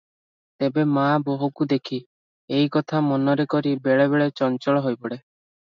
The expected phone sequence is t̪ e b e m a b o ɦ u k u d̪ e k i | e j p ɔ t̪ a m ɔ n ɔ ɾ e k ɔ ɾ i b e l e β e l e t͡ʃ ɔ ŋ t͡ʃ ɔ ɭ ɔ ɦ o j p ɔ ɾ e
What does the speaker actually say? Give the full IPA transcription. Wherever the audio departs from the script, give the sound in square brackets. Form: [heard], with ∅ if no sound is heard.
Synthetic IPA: t̪ e b e m a b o ɦ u k u d̪ e [kʰ] i | e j [k] ɔ [t̪ʰ] a m ɔ n ɔ ɾ e k ɔ ɾ i b e [ɭ] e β e [ɭ] e t͡ʃ ɔ [n] t͡ʃ ɔ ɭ ɔ ɦ o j p ɔ [ɽ] e